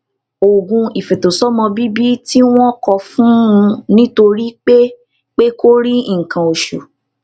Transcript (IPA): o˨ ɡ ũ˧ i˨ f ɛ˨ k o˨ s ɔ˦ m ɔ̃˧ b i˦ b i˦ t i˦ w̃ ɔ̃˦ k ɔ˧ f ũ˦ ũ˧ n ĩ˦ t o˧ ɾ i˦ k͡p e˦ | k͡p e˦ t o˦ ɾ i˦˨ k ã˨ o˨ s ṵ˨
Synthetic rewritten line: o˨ ɡ ũ˧ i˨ f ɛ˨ t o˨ s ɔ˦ m ɔ̃˧ b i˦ b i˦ t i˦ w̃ ɔ̃˦ k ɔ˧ f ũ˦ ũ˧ n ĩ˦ t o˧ ɾ i˦ k͡p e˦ | k͡p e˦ k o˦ ɾ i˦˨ k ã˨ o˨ ʃ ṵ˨